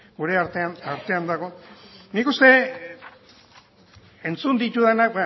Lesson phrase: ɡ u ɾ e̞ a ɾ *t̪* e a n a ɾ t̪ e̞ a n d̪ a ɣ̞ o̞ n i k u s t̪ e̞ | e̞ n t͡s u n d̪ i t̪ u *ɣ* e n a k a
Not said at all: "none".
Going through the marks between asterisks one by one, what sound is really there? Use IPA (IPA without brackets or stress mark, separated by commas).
t̪, ð